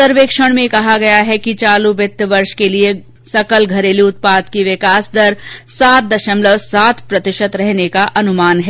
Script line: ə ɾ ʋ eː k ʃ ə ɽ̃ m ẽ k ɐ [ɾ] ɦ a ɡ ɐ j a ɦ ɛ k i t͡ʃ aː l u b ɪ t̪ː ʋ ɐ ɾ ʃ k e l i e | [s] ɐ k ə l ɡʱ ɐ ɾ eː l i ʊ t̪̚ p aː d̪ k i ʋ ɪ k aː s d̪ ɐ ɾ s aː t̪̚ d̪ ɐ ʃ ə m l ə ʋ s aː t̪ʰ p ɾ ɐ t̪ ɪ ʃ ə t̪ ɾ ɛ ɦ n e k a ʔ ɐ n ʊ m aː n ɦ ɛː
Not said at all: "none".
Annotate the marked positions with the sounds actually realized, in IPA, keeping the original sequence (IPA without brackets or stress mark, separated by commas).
none, s